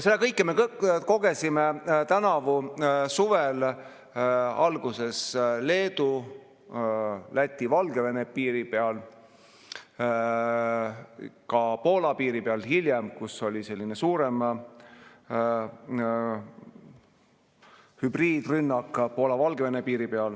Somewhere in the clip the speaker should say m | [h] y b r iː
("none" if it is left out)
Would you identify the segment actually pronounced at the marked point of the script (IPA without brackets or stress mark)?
h